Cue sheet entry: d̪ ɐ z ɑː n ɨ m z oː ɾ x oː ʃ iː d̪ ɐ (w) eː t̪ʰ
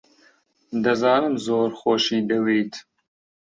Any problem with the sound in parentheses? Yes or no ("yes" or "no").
no